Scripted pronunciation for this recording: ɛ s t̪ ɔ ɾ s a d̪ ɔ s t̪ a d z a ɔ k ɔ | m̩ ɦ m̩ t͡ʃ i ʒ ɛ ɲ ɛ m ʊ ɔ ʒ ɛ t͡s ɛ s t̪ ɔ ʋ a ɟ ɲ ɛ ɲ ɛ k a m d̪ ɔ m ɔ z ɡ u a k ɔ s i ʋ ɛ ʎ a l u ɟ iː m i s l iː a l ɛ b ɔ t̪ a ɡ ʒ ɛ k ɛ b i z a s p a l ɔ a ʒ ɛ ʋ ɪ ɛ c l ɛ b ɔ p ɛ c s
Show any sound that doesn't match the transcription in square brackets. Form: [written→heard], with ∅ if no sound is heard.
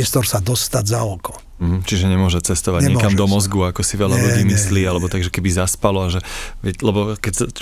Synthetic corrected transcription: ɛ s t̪ ɔ ɾ s a d̪ ɔ s t̪ a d z a ɔ k ɔ | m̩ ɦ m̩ t͡ʃ i ʒ ɛ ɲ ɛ m ʊ ɔ ʒ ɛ t͡s ɛ s t̪ ɔ ʋ a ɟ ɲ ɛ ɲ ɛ k a m d̪ ɔ m ɔ z ɡ u a k ɔ s i ʋ ɛ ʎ a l u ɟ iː m i s l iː a l ɛ b ɔ t̪ a ɡ ʒ ɛ k ɛ b i z a s p a l ɔ a ʒ ɛ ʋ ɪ ɛ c l ɛ b ɔ [p→k] ɛ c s